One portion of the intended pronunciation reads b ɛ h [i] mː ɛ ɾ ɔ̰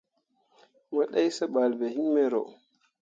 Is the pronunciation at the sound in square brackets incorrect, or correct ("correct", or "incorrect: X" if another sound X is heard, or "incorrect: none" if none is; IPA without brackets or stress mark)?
correct